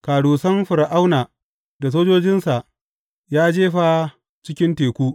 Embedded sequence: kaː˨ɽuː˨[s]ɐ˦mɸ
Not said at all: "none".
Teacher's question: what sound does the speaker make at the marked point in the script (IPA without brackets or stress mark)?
s